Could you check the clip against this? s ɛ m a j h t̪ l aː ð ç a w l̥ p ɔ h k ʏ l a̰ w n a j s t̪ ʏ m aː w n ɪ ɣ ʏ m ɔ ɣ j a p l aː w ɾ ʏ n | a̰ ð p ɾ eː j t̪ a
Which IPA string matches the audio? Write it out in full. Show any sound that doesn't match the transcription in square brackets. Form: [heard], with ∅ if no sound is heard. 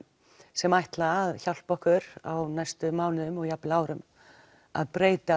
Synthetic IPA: s ɛ m a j h t̪ l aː ð ç a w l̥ p ɔ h k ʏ [ɾ] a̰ w n a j s t̪ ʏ m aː w n ɪ [ð] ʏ m ɔ ɣ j a p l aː w ɾ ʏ [m] | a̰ ð p ɾ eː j t̪ a

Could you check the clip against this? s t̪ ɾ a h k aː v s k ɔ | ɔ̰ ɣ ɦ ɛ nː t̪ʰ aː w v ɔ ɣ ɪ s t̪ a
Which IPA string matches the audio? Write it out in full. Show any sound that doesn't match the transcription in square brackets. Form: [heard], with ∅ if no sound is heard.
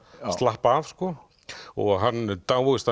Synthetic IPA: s t̪ [l] a h [p] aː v s k ɔ | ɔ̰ ɣ ɦ [a] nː [t̪] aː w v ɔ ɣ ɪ s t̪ a

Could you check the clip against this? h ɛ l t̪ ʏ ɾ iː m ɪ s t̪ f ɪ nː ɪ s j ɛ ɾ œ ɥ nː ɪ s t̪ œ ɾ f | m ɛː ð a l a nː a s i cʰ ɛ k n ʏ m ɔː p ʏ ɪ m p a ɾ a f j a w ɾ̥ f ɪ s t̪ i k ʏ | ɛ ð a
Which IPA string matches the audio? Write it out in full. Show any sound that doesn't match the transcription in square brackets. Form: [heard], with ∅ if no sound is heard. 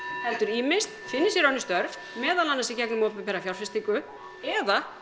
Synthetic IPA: h ɛ l t̪ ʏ ɾ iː m ɪ s t̪ f ɪ nː ɪ s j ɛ ɾ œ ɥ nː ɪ s t̪ œ ɾ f | m ɛː ð a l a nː a s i [c] ɛ k n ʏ m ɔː p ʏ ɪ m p [ɛ] ɾ a f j a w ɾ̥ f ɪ s t̪ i k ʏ | ɛ ð a

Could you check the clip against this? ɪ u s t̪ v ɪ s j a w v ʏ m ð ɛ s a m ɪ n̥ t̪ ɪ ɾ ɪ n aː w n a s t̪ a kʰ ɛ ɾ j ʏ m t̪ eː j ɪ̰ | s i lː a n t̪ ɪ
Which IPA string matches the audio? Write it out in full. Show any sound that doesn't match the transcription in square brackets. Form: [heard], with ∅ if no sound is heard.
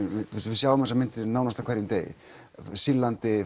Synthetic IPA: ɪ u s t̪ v ɪ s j a w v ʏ m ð ɛ s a m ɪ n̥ t̪ ɪ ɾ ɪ n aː w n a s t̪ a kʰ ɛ ɾ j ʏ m t̪ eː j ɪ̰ | s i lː a n t̪ ɪ

